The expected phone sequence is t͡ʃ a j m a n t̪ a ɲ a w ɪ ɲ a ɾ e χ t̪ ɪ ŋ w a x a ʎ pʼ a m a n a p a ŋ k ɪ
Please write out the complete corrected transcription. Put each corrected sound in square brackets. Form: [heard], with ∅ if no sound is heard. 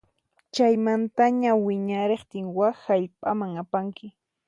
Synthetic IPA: t͡ʃ a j m a n t̪ a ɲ a w ɪ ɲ a ɾ e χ t̪ ɪ ŋ w a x a ʎ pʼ a m a [ŋ] a p a ŋ k ɪ